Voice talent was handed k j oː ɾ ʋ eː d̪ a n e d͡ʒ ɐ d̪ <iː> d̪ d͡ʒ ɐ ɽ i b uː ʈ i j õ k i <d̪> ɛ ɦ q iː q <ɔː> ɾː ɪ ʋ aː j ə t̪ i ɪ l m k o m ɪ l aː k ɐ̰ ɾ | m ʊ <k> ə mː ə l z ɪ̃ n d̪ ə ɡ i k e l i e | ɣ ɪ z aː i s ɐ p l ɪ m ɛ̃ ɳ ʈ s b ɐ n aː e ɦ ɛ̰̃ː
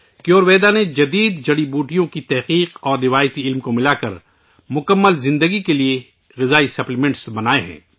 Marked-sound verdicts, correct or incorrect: correct, incorrect: t̪, correct, correct

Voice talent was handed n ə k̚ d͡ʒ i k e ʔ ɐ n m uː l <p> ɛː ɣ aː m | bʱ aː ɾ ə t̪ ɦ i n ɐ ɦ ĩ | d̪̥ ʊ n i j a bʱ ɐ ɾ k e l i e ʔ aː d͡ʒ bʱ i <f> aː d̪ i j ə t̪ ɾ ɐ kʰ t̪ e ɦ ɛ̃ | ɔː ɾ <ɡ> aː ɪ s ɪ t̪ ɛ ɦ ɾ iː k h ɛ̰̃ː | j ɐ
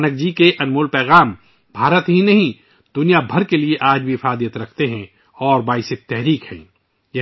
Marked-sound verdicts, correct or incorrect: correct, correct, incorrect: b

